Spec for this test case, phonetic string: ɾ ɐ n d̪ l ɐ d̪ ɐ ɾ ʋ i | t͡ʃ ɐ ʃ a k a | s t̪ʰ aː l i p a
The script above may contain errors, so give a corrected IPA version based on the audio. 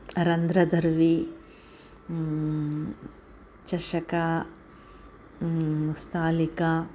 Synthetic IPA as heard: ɾ ɐ n d̪ ɾ ɐ d̪ ɐ ɾ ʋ i | t͡ʃ ɐ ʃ ɐ k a | s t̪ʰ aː l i k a